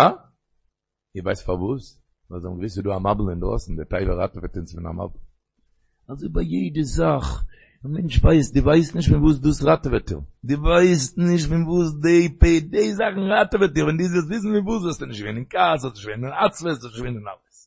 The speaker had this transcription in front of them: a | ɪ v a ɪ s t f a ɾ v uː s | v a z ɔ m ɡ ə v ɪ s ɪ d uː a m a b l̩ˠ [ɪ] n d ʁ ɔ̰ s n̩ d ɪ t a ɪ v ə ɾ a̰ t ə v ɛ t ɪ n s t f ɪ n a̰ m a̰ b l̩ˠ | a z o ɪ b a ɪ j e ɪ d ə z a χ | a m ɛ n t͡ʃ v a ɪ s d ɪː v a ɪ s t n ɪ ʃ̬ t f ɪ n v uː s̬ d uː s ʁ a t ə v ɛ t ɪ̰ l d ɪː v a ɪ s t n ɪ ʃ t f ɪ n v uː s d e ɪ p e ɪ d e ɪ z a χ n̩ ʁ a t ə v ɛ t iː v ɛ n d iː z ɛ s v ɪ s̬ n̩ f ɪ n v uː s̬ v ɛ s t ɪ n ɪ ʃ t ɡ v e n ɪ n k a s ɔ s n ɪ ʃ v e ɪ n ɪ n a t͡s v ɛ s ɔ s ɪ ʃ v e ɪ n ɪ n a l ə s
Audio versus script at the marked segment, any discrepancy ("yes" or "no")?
no